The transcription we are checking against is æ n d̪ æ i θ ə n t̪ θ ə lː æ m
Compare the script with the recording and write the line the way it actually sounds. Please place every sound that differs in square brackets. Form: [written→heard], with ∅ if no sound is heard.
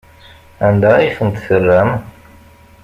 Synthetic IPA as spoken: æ n d̪ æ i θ ə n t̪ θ ə [lː→rː] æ m